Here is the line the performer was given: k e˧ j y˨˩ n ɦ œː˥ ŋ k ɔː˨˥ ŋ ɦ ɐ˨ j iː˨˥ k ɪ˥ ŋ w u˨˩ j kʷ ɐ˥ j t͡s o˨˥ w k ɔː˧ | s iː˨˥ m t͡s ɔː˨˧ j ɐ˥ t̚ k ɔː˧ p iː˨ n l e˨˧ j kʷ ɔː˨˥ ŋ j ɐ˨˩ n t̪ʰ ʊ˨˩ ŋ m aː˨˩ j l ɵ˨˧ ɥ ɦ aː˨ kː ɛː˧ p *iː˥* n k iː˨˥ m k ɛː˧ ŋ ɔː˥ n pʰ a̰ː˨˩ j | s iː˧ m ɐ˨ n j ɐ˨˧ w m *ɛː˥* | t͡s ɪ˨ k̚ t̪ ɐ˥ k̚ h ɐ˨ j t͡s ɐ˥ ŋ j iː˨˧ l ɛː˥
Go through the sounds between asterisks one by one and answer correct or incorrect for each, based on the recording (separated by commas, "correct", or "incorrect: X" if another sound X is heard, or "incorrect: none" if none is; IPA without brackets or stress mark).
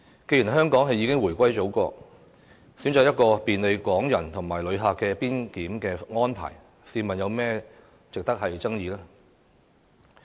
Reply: correct, correct